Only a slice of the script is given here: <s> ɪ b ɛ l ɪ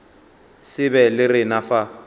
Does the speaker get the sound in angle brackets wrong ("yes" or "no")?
no